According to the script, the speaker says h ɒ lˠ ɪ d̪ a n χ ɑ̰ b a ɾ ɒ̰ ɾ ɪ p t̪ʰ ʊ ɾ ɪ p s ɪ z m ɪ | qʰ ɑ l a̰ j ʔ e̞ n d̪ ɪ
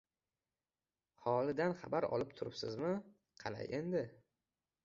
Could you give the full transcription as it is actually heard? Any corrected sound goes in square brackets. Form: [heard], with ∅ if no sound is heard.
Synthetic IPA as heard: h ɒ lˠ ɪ d̪ a n χ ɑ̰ b a ɾ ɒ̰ [l] ɪ p t̪ʰ ʊ ɾ ɪ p s ɪ z m ɪ | qʰ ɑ l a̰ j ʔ e̞ n d̪ ɪ

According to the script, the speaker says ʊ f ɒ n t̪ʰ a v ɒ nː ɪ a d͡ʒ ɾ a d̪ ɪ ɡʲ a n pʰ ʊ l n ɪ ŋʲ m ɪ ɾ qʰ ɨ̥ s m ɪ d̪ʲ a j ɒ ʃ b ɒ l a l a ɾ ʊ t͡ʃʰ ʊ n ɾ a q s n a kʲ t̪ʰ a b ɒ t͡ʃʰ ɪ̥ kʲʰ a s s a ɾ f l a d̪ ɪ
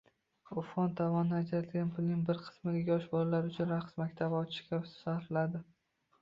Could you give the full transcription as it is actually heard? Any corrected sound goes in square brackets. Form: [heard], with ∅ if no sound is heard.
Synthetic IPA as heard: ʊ f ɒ n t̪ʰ a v ɒ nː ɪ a d͡ʒ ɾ a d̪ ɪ ɡʲ a n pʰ ʊ l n ɪ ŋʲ [b] ɪ ɾ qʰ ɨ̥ s m ɪ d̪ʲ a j ɒ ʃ b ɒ l a l a ɾ ʊ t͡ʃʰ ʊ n ɾ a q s [m] a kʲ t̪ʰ a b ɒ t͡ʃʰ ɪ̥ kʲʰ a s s a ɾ f l a d̪ ɪ

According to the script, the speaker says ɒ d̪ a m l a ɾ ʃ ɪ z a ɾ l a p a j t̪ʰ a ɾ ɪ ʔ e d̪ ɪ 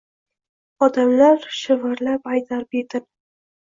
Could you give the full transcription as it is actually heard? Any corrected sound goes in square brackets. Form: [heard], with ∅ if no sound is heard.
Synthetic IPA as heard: ɒ d̪ a m l a ɾ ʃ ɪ [v] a ɾ l a p a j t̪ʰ a ɾ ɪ [p] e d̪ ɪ

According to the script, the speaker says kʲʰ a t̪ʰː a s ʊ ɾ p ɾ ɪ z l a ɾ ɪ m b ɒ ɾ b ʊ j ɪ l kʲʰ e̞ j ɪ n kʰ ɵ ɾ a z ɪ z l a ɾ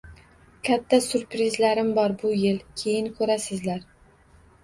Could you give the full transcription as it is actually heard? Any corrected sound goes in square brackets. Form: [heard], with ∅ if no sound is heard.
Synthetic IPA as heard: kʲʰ a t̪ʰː a s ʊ ɾ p ɾ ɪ z l a ɾ ɪ m b ɒ ɾ b ʊ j ɪ l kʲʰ e̞ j ɪ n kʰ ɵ ɾ a [s] ɪ z l a ɾ

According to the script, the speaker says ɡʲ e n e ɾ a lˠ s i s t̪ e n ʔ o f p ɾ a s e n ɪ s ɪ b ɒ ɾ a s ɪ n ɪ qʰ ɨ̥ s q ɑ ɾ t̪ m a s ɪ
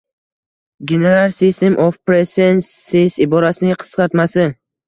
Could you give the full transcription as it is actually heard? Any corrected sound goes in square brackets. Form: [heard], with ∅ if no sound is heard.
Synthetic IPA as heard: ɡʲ e n e ɾ a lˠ s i s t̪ e [m] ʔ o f p ɾ [e] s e n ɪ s ɪ b ɒ ɾ a s ɪ n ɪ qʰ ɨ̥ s q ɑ ɾ t̪ m a s ɪ

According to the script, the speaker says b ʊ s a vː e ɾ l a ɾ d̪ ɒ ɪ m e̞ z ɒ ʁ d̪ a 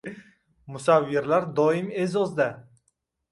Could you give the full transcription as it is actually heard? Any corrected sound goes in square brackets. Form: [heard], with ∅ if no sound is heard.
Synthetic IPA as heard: [m] ʊ s a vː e ɾ l a ɾ d̪ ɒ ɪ m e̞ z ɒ [z] d̪ a

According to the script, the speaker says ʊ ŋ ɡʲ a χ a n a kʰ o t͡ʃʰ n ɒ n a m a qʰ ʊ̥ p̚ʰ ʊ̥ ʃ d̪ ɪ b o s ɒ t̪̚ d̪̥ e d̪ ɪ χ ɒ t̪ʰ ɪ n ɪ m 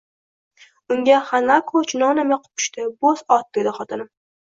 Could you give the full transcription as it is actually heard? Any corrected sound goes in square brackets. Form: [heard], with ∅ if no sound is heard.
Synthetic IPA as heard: ʊ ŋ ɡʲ a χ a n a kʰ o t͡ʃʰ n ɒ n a m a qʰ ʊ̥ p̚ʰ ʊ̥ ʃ [t̪] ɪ b o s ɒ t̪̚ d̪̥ e d̪ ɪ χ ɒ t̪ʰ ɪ n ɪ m

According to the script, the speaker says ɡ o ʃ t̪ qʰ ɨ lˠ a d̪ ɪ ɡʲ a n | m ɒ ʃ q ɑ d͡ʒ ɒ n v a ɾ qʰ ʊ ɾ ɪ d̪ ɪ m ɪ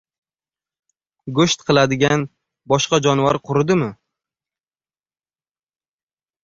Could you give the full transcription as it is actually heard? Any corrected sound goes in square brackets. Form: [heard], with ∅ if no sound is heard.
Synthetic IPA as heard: ɡ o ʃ t̪ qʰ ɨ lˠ a d̪ ɪ ɡʲ a n | [b] ɒ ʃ q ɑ d͡ʒ ɒ n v a ɾ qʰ ʊ ɾ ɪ d̪ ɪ m ɪ

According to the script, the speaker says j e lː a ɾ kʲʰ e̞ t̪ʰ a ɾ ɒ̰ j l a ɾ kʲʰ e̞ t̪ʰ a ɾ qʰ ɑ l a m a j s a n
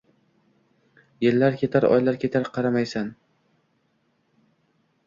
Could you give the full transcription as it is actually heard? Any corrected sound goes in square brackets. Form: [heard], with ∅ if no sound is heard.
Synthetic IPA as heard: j e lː a ɾ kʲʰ e̞ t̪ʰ a ɾ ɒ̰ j l a ɾ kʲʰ e̞ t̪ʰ a ɾ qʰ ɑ [ɾ] a m a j s a n

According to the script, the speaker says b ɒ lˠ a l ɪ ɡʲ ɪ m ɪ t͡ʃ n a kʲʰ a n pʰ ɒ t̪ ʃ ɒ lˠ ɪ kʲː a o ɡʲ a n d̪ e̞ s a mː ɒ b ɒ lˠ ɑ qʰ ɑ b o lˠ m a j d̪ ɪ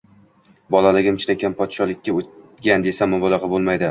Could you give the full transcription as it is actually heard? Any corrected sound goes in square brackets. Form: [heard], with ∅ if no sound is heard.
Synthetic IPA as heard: b ɒ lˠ a l ɪ ɡʲ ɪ m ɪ t͡ʃ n a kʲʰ a n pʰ ɒ t̪ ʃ ɒ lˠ ɪ kʲː a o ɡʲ a n d̪ e̞ s a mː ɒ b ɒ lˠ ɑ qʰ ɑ b o lˠ m a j d̪ ɪ

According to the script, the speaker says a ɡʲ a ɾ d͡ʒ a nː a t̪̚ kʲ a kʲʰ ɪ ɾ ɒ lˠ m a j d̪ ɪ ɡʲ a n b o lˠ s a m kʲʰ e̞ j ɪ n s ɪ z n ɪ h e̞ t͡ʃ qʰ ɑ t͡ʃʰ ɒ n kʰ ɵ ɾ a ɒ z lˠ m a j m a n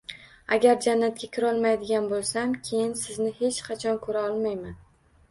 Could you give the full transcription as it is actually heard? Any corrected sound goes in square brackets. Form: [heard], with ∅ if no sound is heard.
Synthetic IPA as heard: a ɡʲ a ɾ d͡ʒ a nː a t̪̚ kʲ a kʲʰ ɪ ɾ ɒ lˠ m a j d̪ ɪ ɡʲ a n b o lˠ s a m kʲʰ e̞ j ɪ n s ɪ z n ɪ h e̞ t͡ʃ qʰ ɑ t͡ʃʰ ɒ n kʰ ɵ ɾ a ɒ [∅] lˠ m a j m a n

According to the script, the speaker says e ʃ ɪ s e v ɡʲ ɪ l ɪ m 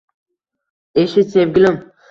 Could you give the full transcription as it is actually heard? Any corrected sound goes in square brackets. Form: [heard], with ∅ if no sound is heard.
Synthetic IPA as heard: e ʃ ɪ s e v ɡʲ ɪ l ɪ m

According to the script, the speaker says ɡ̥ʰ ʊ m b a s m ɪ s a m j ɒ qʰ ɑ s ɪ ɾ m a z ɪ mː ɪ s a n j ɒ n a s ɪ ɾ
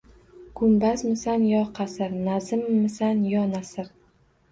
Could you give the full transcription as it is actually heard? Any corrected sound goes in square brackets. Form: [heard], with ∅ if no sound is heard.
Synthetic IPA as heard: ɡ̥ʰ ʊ m b a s m ɪ s a [n] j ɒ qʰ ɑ s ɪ ɾ [n] a z ɪ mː ɪ s a n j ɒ n a s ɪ ɾ

